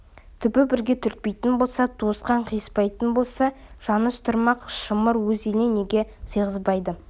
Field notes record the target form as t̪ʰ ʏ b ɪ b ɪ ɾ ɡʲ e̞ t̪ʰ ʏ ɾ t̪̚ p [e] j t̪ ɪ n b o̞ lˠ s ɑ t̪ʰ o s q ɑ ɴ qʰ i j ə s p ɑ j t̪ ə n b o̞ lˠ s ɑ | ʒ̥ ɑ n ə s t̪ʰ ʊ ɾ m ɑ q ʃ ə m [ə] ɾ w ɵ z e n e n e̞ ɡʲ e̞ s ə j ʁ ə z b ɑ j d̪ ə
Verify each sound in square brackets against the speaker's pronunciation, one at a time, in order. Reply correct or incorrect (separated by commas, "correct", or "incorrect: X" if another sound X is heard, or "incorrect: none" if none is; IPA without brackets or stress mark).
correct, correct